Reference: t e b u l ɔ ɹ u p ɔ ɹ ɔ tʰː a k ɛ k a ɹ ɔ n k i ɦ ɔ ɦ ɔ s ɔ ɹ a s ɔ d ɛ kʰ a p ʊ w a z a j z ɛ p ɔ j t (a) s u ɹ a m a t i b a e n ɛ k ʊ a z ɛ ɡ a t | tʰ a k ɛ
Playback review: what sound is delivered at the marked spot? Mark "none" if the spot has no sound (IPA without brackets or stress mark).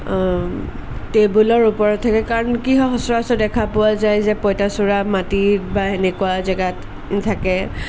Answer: a